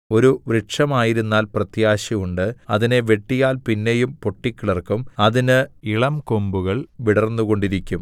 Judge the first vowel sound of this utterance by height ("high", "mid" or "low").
mid